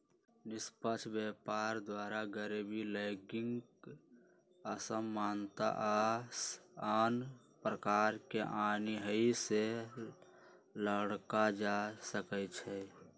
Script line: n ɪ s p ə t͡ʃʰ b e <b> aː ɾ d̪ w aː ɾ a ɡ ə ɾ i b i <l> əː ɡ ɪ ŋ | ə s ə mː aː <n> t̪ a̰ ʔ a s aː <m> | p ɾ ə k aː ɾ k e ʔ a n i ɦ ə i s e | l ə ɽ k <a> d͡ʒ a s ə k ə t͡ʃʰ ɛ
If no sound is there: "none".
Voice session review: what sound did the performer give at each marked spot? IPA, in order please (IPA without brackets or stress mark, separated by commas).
p, l, n, n, a